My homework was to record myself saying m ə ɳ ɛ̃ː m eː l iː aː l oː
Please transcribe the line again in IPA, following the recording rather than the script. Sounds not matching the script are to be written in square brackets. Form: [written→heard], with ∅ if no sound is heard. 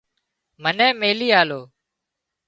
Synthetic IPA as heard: m ə [ɳ→n] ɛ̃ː m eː l iː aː l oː

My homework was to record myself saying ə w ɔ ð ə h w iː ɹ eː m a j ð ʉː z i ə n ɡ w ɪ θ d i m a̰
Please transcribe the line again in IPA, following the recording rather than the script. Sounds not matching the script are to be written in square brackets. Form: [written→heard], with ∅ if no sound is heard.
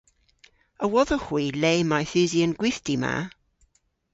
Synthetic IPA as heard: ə w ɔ ð ə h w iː [ɹ→l] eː m a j [ð→θ] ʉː z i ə n ɡ w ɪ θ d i m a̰

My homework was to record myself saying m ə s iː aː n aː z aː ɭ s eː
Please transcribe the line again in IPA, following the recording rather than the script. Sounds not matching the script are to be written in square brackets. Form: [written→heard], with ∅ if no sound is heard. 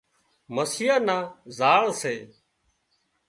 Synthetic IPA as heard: m ə s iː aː n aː z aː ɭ s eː

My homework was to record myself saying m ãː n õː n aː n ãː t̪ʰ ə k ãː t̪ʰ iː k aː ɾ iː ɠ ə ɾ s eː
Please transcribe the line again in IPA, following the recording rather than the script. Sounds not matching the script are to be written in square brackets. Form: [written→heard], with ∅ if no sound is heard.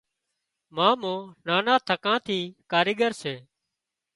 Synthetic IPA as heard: m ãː [n→m] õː n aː n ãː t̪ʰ ə k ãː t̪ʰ iː k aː ɾ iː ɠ ə ɾ s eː

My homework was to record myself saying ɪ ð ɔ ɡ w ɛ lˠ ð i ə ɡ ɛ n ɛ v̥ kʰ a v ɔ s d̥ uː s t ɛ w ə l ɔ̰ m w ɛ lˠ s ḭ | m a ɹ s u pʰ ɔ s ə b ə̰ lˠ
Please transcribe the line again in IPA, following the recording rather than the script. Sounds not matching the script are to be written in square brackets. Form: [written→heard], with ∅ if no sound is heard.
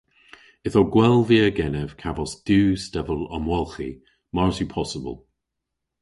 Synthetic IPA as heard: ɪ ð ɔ ɡ w ɛ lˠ [ð→v] i ə ɡ ɛ n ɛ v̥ kʰ a v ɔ s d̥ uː s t ɛ [w→v] ə l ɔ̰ m w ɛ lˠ [s→x] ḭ | m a ɹ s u pʰ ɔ s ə b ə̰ lˠ

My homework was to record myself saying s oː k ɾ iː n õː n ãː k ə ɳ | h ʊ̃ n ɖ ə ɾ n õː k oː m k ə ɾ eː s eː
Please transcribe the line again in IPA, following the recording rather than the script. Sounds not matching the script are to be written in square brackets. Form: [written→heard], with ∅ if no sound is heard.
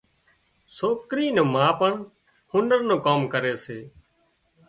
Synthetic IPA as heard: s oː k ɾ iː n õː [n→m] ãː [k→p] ə ɳ | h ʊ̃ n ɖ ə ɾ n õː k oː m k ə ɾ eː s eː

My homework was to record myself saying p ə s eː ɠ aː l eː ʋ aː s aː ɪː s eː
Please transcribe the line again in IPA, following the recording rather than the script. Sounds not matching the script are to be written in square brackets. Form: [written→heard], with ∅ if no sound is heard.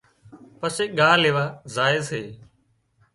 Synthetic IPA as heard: p ə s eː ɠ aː l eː ʋ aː [s→z] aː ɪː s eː

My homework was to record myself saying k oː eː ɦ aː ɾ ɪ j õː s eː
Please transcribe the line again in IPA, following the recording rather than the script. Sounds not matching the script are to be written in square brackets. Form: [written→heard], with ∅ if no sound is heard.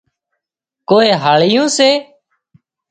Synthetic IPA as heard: k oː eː ɦ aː [ɾ→ɭ] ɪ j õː s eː

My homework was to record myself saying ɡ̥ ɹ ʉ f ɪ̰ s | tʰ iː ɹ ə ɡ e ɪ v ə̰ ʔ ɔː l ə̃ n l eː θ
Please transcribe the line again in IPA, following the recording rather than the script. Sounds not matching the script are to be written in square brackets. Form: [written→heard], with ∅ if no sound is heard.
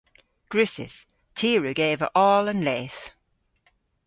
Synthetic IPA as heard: ɡ̥ ɹ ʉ [f→s] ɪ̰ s | tʰ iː ɹ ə ɡ e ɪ v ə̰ ʔ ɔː l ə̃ n l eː θ

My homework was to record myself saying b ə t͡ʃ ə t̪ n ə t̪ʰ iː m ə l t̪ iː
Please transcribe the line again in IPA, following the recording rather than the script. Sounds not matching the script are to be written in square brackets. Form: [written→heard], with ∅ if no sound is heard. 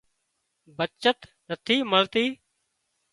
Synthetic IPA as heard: b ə t͡ʃ ə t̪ n ə t̪ʰ iː m ə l t̪ iː

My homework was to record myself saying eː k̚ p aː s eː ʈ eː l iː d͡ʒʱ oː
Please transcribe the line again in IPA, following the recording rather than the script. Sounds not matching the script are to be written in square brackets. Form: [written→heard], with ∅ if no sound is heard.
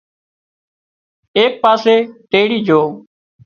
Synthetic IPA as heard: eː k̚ p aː s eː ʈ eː [l→ɽ] iː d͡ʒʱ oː

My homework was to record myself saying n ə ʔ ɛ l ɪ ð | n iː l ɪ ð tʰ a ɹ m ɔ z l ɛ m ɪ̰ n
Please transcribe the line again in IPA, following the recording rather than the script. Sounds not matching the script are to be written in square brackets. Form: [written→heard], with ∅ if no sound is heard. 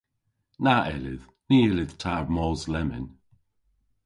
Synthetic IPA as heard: n [ə→a] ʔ ɛ l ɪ ð | n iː l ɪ ð tʰ a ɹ m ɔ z l ɛ m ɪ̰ n

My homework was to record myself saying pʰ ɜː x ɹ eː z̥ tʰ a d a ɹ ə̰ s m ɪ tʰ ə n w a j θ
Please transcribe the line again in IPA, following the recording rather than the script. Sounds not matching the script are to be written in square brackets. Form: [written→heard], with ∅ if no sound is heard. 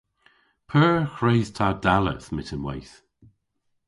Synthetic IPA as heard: pʰ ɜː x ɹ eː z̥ tʰ a d a [ɹ→l] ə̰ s m ɪ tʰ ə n w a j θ

